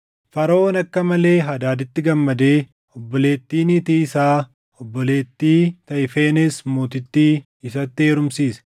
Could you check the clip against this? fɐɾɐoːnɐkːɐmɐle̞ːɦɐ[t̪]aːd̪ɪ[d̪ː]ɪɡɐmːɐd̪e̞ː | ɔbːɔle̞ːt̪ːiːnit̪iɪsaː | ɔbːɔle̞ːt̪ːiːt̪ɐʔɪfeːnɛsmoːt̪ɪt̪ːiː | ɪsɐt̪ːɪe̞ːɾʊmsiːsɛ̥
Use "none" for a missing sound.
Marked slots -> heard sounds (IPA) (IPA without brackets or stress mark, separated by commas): d̪, t̪ː